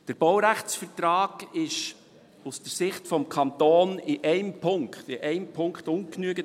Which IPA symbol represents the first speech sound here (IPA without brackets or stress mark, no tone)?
d̥